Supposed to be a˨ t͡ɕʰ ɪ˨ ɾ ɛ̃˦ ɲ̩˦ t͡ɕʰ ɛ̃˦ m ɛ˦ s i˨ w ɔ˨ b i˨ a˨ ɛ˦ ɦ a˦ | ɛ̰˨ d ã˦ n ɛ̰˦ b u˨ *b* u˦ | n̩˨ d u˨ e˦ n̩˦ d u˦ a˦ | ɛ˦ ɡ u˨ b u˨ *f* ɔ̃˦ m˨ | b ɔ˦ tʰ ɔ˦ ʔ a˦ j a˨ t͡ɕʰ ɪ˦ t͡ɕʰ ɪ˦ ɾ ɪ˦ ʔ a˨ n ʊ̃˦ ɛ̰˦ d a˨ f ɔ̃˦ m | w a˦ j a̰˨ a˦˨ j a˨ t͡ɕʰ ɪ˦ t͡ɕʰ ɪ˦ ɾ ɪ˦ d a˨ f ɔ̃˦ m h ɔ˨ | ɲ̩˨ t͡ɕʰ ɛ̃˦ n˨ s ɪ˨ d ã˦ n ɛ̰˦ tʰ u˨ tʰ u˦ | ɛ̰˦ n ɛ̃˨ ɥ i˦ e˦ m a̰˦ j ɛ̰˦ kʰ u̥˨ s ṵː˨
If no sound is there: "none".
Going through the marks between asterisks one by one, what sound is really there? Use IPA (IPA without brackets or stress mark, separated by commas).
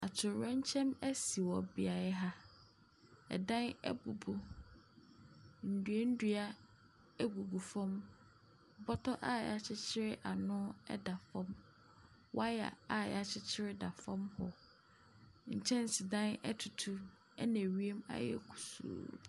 b, f